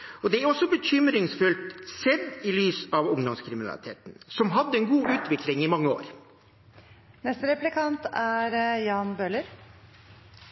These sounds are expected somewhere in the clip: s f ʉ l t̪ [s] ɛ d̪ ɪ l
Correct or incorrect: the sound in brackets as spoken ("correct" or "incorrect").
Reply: correct